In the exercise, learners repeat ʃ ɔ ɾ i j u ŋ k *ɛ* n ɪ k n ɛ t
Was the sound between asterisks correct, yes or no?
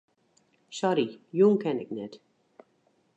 yes